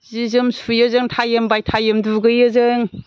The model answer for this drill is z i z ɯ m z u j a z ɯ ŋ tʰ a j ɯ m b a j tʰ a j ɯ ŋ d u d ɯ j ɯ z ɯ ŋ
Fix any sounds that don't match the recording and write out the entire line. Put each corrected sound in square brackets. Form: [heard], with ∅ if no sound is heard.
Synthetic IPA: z i z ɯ m [s] u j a z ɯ ŋ tʰ a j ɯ m b a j tʰ a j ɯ [m] d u [ɡ] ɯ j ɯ z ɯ ŋ